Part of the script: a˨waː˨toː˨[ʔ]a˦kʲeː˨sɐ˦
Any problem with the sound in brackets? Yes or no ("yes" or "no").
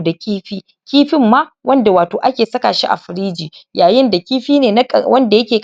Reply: no